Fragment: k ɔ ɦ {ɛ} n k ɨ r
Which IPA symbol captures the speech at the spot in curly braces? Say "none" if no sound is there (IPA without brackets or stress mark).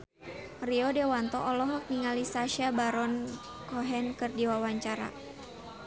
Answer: ɛ